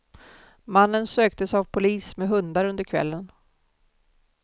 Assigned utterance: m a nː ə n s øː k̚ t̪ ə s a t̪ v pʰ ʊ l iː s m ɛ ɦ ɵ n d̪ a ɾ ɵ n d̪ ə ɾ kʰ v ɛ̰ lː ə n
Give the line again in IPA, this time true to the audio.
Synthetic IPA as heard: m a nː ə n s øː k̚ t̪ ə s a v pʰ ʊ l iː s m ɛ ɦ ɵ n d̪ a ɾ ɵ n d̪ ə ɾ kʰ v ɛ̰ lː ə n